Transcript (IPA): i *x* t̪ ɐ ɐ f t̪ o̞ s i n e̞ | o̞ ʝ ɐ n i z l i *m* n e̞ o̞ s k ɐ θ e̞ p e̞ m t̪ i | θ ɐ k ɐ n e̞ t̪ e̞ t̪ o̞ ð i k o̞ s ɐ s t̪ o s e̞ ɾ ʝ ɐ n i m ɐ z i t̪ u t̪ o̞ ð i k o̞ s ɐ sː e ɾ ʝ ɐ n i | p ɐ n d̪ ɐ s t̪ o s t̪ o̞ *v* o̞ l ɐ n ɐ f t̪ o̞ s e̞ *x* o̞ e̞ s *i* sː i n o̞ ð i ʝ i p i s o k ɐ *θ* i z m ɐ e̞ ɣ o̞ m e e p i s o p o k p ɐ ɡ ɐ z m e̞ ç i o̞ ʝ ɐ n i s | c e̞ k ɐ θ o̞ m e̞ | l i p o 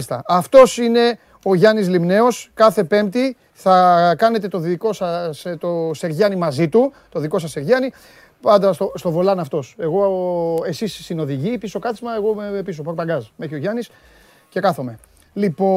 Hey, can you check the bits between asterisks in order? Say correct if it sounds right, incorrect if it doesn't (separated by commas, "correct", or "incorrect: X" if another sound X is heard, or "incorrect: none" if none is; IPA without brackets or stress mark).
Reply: incorrect: s, correct, correct, incorrect: ɣ, correct, correct